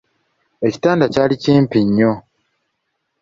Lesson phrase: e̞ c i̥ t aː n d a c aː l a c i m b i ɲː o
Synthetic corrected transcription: e̞ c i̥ t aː n d a c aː l i c iː m p i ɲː o

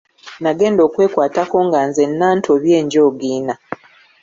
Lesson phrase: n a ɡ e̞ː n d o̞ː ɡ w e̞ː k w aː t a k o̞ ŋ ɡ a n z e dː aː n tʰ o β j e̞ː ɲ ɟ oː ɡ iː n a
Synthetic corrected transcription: n a ɡ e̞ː n d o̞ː k w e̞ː k w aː t a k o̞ ŋ ɡ a n z e nː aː n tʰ o β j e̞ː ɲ ɟ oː ɡ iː n a

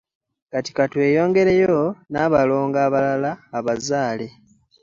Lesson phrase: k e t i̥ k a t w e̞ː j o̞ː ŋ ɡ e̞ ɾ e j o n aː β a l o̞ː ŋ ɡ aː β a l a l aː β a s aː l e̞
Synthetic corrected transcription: k a t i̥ k a t w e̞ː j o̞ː ŋ ɡ e̞ ɾ e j o n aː β a l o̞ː ŋ ɡ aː β a l a l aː β a z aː l e̞

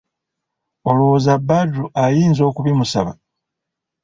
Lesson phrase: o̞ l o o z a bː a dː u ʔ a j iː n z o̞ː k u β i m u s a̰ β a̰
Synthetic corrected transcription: o̞ l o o z a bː a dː u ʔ a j iː n z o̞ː k u β i m u s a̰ β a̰

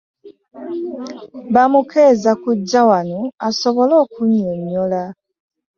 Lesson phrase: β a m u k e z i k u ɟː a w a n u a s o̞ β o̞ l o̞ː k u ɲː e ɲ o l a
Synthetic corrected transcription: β a m u k e z a k u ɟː a w a n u a s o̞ β o̞ l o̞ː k u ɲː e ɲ o l a

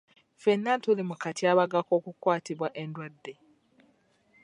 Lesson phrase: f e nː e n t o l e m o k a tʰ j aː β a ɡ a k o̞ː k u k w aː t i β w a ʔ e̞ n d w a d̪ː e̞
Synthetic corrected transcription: f e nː a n t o l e m u k a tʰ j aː β a ɡ a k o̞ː k u k w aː t i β w a ʔ e̞ n d w a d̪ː e̞

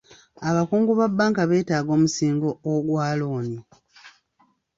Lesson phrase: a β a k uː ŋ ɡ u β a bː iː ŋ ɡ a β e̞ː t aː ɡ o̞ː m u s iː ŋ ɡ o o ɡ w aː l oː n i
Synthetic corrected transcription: a β a k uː ŋ ɡ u β a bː aː ŋ k a β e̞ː t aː ɡ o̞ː m u s iː ŋ ɡ o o ɡ w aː l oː n i

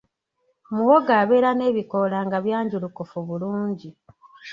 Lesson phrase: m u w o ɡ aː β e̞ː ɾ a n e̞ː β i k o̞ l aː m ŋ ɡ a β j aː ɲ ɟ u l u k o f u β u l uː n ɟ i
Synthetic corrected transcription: m u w o ɡ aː β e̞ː ɾ a n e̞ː β i k o̞ l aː ŋ ɡ a β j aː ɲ ɟ u l u k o f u β u l uː ɲ ɟ i

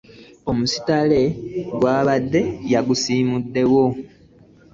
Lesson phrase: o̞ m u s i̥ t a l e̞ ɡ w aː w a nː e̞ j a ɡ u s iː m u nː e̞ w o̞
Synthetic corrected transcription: o̞ m u s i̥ t a l e̞ ɡ w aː β a dː e̞ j a ɡ u s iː m u dː e̞ w o̞

